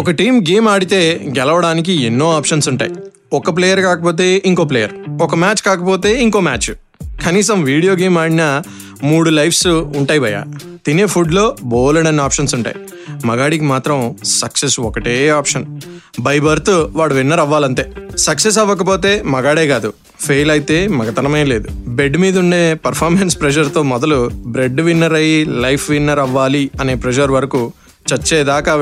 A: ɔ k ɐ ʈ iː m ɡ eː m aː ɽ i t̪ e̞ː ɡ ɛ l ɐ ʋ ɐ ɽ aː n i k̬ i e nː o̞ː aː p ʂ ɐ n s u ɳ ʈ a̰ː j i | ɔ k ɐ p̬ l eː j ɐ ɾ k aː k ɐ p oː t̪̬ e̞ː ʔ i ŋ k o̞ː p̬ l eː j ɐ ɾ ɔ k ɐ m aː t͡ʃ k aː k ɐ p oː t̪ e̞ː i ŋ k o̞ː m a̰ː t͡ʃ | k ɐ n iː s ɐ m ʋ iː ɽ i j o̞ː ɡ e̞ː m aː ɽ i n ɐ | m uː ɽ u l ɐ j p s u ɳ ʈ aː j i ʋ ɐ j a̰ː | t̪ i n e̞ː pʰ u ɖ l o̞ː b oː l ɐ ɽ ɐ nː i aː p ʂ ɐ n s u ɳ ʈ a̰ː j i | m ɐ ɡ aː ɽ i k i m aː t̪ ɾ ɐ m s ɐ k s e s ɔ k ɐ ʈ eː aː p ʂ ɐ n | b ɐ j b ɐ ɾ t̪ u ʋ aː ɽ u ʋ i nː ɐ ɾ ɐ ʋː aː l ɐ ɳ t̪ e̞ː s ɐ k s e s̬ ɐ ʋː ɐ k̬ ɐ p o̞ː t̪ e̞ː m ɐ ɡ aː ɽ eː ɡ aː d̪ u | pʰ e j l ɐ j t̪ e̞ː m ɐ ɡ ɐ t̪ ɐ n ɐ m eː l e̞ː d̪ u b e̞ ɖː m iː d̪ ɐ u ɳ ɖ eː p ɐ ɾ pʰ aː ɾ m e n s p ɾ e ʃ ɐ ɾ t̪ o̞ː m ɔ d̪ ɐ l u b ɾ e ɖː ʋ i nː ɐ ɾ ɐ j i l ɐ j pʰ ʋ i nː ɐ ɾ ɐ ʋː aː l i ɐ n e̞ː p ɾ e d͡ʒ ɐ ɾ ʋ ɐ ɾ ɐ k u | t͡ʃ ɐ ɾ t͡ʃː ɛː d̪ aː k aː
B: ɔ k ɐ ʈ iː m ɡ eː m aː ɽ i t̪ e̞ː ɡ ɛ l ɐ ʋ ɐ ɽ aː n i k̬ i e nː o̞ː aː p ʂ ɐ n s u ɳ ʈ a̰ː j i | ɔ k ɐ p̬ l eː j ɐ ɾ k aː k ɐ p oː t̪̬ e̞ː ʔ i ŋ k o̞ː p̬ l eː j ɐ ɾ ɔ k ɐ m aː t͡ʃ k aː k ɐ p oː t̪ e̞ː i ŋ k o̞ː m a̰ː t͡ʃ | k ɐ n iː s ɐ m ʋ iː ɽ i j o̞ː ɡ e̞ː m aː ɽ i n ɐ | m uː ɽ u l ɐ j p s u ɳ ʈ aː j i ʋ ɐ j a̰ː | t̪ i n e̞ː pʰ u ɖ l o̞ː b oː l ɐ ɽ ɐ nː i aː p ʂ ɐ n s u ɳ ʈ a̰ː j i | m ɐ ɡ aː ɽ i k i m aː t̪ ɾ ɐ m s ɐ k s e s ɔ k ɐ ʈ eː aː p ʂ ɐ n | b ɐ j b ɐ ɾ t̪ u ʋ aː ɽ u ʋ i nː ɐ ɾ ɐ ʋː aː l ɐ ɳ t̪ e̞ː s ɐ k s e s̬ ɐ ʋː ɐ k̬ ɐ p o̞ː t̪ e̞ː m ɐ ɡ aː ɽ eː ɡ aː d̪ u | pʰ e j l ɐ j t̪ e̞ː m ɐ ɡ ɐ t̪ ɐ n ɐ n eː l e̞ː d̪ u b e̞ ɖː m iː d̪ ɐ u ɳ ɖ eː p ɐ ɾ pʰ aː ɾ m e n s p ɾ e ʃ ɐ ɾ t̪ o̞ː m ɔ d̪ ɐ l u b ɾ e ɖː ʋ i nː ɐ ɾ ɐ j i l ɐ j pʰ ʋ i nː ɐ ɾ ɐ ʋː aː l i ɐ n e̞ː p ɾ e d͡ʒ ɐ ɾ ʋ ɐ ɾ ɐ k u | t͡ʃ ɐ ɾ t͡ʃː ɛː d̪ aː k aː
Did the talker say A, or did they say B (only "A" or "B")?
A